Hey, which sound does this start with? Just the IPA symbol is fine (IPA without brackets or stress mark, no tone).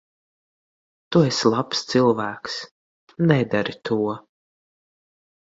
t̪